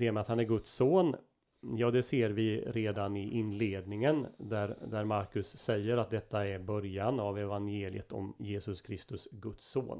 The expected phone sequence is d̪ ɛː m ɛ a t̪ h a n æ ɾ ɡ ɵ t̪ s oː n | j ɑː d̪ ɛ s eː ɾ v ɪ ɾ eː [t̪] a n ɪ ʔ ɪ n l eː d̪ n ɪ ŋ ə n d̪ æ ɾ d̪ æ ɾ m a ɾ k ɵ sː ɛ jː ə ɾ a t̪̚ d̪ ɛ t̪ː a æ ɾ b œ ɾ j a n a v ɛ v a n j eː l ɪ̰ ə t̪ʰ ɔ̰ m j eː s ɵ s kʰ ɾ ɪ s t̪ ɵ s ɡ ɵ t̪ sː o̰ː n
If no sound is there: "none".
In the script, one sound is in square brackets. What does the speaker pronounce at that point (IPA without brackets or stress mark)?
d̪